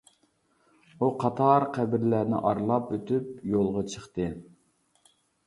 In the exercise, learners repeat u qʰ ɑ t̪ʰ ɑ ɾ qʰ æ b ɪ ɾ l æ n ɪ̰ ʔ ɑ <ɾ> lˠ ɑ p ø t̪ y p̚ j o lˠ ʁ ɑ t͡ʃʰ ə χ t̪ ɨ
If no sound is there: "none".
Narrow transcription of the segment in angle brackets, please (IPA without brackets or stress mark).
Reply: ɾ